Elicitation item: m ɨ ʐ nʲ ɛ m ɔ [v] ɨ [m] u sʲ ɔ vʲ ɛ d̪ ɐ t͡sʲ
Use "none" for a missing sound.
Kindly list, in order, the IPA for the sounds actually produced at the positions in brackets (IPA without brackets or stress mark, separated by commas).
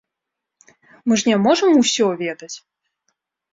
ʐ, m